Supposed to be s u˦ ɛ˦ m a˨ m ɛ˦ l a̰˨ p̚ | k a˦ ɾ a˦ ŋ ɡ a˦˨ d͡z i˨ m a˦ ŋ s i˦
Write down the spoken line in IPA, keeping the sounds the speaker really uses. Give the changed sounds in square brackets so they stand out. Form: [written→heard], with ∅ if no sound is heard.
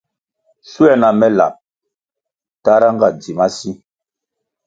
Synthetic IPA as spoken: s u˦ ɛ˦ [m→n] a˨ m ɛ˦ l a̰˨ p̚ | [k→t] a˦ ɾ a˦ ŋ ɡ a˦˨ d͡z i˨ m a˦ [ŋ→∅] s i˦